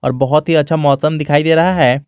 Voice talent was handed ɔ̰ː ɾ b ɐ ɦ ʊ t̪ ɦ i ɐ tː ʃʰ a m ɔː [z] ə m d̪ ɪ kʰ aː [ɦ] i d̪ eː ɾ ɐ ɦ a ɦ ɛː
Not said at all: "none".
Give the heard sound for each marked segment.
s, none

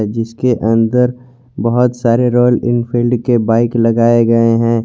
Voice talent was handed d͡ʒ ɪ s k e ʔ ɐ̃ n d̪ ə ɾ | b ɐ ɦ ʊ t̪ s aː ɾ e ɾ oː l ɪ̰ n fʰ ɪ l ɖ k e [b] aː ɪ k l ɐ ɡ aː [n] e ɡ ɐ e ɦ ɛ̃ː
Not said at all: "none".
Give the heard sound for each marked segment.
b, none

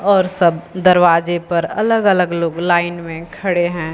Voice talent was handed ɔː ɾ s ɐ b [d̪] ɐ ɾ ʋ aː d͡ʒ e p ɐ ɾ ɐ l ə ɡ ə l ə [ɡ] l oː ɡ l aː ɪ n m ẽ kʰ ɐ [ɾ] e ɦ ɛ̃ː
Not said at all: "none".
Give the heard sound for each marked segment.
d̪, ɡ, ɽ

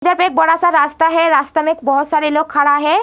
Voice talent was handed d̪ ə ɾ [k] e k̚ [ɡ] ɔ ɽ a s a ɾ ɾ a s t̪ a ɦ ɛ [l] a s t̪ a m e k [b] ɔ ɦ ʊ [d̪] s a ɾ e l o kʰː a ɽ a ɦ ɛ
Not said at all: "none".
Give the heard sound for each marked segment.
p, b, ɾ, b, t̪

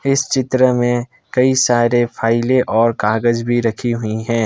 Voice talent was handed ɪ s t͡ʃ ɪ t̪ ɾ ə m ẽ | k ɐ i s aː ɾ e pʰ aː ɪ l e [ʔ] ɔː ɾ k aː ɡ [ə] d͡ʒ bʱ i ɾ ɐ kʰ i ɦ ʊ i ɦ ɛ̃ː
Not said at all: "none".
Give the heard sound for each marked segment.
ʔ, ə

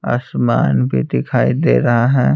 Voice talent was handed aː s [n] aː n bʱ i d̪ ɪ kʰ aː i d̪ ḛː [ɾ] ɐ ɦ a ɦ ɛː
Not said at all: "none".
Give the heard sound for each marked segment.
m, ɾ

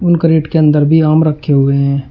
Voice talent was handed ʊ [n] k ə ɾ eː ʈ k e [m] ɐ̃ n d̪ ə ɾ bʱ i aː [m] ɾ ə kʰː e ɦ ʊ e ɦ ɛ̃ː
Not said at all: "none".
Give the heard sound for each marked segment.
n, none, m

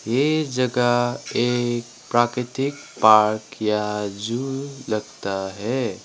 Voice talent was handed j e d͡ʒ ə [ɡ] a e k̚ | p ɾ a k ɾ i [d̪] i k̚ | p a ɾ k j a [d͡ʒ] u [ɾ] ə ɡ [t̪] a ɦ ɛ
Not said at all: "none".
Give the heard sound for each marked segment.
ɡ, t̪, d͡ʒ, l, t̪

